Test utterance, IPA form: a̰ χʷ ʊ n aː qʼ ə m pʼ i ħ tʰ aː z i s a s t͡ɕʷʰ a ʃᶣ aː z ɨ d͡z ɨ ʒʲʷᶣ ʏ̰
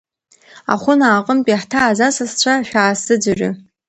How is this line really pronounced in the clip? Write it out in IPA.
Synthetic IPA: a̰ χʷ ʊ n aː qʼ ə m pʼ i ħ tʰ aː z a s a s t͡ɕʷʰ a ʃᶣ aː s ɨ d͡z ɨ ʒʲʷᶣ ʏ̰